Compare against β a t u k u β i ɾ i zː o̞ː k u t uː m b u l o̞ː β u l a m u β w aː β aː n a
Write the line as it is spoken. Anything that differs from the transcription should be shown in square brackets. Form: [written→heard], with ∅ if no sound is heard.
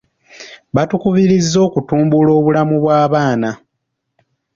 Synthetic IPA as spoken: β a t u k u β i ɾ i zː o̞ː k u t uː m b u l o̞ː β u l a m u β w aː β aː n a